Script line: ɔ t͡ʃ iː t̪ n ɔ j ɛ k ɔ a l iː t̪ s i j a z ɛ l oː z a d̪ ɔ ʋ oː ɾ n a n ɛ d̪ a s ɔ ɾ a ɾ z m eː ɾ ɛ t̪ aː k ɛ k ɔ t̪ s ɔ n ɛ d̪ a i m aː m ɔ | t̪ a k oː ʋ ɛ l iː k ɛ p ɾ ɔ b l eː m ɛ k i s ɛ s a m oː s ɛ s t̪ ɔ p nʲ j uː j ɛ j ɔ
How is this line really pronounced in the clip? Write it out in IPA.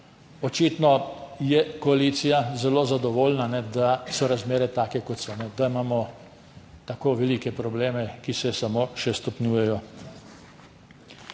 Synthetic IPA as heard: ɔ t͡ʃ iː t̪ n ɔ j ɛ k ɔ a l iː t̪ s i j a z ɛ l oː z a d̪ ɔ ʋ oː l n a n ɛ d̪ a s ɔ ɾ a z m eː ɾ ɛ t̪ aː k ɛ k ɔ t̪ s ɔ n ɛ d̪ a i m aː m ɔ | t̪ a k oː ʋ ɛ l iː k ɛ p ɾ ɔ b l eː m ɛ k i s ɛ s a m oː ʃ ɛ s t̪ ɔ p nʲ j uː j ɛ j ɔ